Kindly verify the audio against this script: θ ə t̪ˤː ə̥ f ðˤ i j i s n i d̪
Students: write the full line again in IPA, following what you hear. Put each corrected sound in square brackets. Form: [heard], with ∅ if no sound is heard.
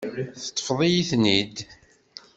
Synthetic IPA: θ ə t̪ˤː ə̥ f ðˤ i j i [θ] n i d̪